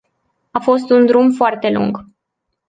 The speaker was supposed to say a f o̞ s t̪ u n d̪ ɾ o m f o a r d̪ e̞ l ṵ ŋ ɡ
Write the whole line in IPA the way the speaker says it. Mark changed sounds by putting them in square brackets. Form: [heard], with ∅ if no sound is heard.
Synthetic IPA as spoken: a f o̞ s t̪ u n d̪ ɾ [u] m f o a r [t̪] e̞ l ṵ ŋ ɡ

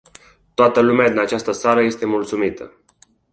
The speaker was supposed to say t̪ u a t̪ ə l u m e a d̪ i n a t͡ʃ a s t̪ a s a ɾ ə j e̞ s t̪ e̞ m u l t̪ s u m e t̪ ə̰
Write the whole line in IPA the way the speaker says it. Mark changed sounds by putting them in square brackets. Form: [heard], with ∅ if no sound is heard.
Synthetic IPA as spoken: t̪ [o] a t̪ ə l u m e a d̪ i n a t͡ʃ a s t̪ [ə] s a ɾ ə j e̞ s t̪ e̞ m u l t̪ s u m [i] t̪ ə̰

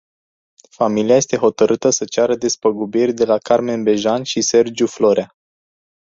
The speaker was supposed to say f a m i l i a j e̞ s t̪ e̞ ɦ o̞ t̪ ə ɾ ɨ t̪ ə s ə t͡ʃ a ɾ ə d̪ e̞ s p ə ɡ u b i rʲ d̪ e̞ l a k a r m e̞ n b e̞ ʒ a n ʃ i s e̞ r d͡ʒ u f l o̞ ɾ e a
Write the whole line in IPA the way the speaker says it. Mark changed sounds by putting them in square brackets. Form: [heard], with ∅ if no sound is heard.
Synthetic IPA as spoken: f a m i l i a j e̞ s t̪ e̞ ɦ o̞ t̪ ə ɾ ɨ t̪ ə s ə t͡ʃ a ɾ ə d̪ e̞ s p ə ɡ u b i rʲ d̪ e̞ l a k a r m e̞ n b e̞ ʒ a n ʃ i s e̞ r d͡ʒ u f l o̞ ɾ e a

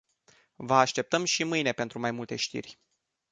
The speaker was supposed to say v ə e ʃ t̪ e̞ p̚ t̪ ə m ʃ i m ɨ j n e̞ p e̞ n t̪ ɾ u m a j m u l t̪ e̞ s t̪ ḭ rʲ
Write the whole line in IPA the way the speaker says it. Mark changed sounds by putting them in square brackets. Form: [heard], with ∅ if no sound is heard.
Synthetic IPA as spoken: v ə [a] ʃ t̪ e̞ p̚ t̪ ə m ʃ i m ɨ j n e̞ p e̞ n t̪ ɾ u m a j m u l t̪ e̞ [ʃ] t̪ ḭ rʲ

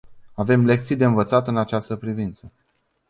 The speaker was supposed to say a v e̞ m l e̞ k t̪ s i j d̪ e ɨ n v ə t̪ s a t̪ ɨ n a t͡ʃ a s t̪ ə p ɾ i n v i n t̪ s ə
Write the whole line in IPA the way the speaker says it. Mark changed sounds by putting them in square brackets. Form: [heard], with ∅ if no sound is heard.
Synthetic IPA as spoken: a v e̞ m l e̞ k t̪ s i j d̪ e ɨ n v ə t̪ s a t̪ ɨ n a t͡ʃ a s t̪ ə p ɾ i [∅] v i n t̪ s ə

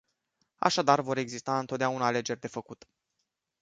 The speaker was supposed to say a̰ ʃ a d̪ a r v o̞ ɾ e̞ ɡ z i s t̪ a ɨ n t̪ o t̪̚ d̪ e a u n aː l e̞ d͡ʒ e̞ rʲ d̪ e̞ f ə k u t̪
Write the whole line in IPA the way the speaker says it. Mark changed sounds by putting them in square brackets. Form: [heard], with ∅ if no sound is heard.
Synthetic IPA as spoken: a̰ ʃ a d̪ a r v o̞ ɾ e̞ ɡ z i s t̪ a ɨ n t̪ o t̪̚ d̪ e a u n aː l e̞ d͡ʒ e̞ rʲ d̪ e̞ f ə k u t̪

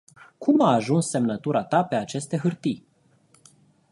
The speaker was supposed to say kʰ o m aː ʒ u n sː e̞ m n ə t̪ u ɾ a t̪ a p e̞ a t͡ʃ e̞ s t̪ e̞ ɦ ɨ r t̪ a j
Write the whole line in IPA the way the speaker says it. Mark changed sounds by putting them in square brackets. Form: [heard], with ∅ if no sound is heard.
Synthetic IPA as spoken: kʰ [u] m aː ʒ u n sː e̞ m n ə t̪ u ɾ a t̪ a p e̞ a t͡ʃ e̞ s t̪ e̞ ɦ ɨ r t̪ [i] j

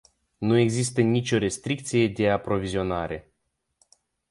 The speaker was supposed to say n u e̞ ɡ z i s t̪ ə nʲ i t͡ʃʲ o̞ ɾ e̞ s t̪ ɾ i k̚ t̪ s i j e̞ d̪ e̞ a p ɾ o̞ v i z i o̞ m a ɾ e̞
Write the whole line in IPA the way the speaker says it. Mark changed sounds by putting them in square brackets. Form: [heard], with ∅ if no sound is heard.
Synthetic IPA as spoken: n u e̞ ɡ z i s t̪ ə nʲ i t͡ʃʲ o̞ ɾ e̞ s t̪ ɾ i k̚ t̪ s i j e̞ d̪ e̞ a p ɾ o̞ v i z i o̞ [n] a ɾ e̞

